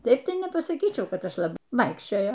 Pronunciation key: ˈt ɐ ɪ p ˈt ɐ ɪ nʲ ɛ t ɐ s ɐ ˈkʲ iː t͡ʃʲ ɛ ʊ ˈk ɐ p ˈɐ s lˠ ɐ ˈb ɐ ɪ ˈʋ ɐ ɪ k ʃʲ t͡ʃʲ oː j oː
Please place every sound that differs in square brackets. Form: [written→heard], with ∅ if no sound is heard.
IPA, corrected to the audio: ˈt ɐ ɪ p ˈt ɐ ɪ nʲ ɛ [t→p] ɐ s ɐ ˈkʲ iː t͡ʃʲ ɛ ʊ ˈk ɐ [p→t] ˈɐ [s→ʃ] lˠ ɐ ˈb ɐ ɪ ˈʋ ɐ ɪ k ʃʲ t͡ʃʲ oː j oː